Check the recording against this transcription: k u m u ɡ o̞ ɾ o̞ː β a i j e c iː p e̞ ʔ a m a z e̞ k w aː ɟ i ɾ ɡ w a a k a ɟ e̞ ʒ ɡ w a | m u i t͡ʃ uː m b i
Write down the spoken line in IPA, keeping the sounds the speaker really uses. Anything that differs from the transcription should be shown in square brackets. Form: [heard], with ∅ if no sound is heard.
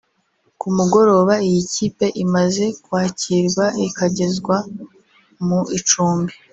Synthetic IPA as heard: k u m u ɡ o̞ ɾ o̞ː β a i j [i] c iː p e̞ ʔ [i] m a z e̞ k w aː [c] i ɾ ɡ w a [i] k a ɟ e̞ [z] ɡ w a | m u i t͡ʃ uː m b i